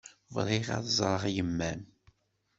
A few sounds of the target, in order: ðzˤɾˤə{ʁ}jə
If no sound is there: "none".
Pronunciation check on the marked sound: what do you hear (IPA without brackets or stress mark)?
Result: ʁ